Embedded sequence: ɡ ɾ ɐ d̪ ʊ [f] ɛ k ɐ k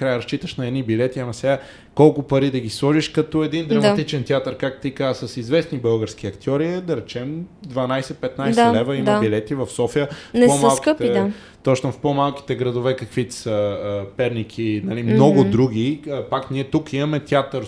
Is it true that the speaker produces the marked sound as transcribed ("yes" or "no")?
no